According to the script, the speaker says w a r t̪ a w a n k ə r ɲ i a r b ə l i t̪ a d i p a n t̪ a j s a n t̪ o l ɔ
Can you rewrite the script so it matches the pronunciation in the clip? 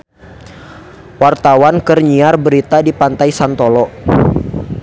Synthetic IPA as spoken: w a r t̪ a w a n k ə r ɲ i a r b ə ɾ i t̪ a d i p a n t̪ a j s a n t̪ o l ɔ